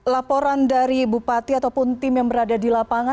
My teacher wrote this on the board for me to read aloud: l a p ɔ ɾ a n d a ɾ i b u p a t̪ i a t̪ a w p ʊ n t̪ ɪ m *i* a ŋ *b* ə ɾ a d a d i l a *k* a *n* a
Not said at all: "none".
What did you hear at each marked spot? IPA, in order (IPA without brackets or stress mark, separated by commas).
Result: j, b, p, ŋ